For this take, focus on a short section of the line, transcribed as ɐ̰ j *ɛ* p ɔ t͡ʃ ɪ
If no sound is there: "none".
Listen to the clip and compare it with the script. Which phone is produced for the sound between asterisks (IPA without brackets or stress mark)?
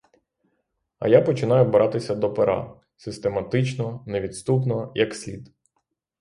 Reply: a